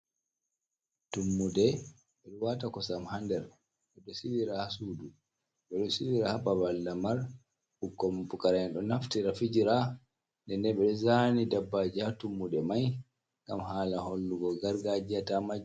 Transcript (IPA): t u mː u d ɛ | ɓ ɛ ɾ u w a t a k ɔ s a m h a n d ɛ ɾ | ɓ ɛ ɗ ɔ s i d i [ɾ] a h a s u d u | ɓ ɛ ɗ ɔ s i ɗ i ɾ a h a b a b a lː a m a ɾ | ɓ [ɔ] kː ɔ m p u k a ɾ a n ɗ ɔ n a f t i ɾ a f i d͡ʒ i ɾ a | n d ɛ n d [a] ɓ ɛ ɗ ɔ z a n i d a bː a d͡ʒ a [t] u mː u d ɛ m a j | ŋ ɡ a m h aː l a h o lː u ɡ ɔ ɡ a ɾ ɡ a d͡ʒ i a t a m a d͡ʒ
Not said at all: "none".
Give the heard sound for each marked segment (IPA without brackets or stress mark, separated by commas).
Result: ɾ, u, ɛ, t